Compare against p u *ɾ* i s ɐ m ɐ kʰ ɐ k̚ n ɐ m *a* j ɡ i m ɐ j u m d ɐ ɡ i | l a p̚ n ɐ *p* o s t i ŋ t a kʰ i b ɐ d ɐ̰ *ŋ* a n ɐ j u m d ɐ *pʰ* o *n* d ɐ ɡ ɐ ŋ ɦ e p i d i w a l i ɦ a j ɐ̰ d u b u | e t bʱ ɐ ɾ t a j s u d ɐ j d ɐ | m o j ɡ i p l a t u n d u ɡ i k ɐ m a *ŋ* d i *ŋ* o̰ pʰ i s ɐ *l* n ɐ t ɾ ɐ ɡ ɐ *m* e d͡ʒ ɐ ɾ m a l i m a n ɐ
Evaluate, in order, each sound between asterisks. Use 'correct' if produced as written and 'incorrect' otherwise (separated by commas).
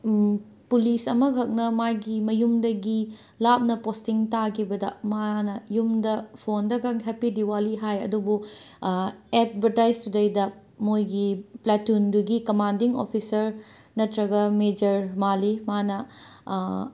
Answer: incorrect, correct, correct, incorrect, correct, correct, incorrect, correct, incorrect, correct